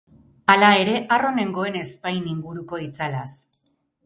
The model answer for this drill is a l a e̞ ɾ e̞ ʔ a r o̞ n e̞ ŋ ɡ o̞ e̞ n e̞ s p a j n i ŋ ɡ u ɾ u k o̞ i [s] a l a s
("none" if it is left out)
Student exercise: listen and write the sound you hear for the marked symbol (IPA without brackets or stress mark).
t͡s